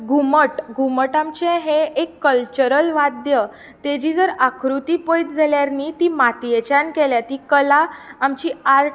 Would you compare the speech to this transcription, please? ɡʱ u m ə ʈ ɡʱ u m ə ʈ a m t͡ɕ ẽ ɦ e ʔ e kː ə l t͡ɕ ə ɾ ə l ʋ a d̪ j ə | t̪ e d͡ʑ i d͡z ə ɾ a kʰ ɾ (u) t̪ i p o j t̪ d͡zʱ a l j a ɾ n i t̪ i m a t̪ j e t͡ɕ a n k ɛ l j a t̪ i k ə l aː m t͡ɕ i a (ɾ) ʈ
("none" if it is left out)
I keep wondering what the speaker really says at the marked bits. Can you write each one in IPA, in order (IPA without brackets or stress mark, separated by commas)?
u, ɾ